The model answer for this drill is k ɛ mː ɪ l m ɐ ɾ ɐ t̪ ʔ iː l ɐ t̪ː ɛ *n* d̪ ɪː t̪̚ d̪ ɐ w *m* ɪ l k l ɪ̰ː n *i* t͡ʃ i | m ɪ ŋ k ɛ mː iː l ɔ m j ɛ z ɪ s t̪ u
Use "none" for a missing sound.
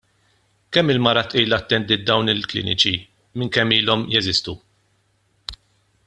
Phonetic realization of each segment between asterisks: n, n, ɪ

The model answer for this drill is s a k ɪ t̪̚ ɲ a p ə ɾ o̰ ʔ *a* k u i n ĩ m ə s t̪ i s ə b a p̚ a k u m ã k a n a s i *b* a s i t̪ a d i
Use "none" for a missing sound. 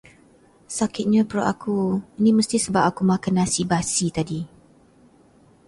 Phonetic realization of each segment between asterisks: a, b

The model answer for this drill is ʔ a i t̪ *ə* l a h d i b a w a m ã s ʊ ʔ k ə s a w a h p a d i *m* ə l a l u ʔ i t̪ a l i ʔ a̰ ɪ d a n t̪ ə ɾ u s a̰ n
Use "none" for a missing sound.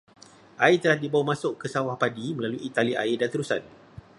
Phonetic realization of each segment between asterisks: ə, m

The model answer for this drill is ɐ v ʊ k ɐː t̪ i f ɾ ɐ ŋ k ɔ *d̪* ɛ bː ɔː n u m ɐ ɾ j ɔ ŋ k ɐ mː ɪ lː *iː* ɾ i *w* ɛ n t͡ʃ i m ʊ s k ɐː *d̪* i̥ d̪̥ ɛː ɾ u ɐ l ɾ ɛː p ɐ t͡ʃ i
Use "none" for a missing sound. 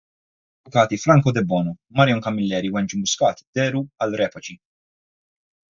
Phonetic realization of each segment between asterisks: d̪, ɛː, w, t̪

